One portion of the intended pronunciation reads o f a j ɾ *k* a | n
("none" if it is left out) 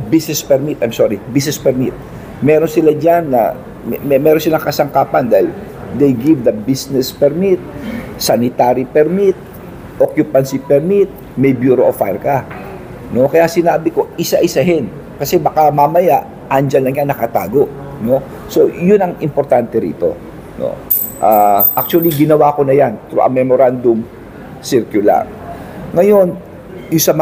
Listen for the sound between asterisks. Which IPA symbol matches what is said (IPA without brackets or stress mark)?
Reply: k